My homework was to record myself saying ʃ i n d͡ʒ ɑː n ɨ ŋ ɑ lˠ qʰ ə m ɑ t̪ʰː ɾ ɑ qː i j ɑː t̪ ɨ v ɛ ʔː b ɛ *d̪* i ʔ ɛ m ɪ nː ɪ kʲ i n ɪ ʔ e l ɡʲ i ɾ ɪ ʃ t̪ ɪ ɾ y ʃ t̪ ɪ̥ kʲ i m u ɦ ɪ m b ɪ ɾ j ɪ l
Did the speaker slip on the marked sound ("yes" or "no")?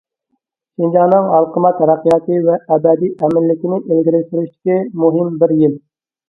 no